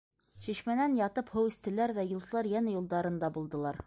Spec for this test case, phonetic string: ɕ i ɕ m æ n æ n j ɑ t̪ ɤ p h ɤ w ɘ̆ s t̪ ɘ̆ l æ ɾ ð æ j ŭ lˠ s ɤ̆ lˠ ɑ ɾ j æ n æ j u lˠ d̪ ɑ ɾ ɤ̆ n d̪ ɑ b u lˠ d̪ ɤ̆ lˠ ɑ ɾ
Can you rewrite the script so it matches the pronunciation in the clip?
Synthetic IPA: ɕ i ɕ m æ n æ n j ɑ t̪ ɤ p h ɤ w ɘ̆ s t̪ ɘ̆ l æ ɾ ð æ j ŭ lˠ s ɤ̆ lˠ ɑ ɾ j æ n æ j u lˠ d̪ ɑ ɾ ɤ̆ n d̪ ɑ b u lˠ d̪ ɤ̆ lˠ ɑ ɾ

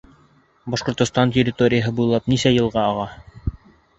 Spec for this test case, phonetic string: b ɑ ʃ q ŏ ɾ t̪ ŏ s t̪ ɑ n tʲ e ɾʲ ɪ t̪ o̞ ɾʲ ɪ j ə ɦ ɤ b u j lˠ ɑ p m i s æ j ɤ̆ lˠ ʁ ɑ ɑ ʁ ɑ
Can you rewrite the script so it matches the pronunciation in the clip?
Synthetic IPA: b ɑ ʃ q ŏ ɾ t̪ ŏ s t̪ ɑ n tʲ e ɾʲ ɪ t̪ o̞ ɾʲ ɪ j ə ɦ ɤ b u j lˠ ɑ p n i s æ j ɤ̆ lˠ ʁ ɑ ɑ ʁ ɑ

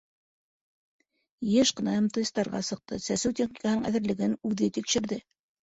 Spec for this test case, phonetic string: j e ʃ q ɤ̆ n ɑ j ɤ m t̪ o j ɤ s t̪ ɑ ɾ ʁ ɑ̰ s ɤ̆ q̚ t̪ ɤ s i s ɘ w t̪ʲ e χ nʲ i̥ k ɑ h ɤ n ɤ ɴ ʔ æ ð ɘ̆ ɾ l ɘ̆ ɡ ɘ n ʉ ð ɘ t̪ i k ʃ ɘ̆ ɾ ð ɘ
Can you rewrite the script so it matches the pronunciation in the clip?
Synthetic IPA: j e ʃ q ɤ̆ n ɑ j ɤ m t̪ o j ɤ s t̪ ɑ ɾ ʁ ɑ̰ s ɤ̆ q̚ t̪ ɤ s æ s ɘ w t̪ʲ e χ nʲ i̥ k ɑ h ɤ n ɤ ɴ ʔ æ ð ɘ̆ ɾ l ɘ̆ ɡ ɘ n ʉ ð ɘ t̪ i k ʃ ɘ̆ ɾ ð ɘ

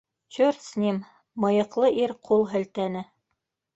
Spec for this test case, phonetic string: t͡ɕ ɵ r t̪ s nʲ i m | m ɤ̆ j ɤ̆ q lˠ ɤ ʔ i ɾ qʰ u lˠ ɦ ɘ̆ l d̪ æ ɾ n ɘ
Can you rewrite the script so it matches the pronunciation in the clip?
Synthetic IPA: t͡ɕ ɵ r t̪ s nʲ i m | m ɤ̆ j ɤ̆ q lˠ ɤ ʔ i ɾ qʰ u lˠ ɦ ɘ̆ l t̪ æ n ɘ

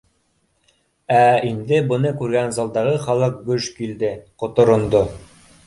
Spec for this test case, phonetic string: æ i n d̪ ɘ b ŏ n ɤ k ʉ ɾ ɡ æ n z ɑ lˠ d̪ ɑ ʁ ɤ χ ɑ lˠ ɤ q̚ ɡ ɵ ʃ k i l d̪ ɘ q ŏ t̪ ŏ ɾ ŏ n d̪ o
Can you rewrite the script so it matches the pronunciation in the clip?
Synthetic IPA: æ i n d̪ ɘ b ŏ n ɤ k ʉ ɾ ɡ æ n z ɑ lˠ d̪ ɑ ʁ ɤ χ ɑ lˠ ɤ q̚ ɡ ɵ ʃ k i l d̪ ɘ q ŏ t̪ ŏ ɾ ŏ n d̪ o

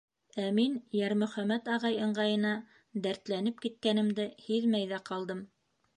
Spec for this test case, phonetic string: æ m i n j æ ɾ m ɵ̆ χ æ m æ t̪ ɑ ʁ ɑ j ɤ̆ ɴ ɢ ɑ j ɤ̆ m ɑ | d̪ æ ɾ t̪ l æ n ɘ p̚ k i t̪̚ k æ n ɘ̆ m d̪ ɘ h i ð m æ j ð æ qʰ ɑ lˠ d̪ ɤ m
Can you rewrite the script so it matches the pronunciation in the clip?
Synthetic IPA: æ m i n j æ ɾ m ɵ̆ χ æ m æ t̪ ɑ ʁ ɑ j ɤ̆ ɴ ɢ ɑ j ɤ̆ n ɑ | d̪ æ ɾ t̪ l æ n ɘ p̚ k i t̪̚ k æ n ɘ̆ m d̪ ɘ h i ð m æ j ð æ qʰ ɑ lˠ d̪ ɤ m

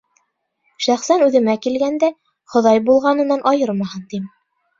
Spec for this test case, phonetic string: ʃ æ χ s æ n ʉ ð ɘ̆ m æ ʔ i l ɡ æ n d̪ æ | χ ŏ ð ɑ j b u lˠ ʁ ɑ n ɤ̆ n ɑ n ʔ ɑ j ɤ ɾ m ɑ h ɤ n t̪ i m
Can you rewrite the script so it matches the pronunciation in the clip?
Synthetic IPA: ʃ æ χ s æ n ʉ ð ɘ̆ m æ k i l ɡ æ n d̪ æ | χ ŏ ð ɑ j b u lˠ ʁ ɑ n ɤ̆ n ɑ n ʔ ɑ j ɤ ɾ m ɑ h ɤ n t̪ i m

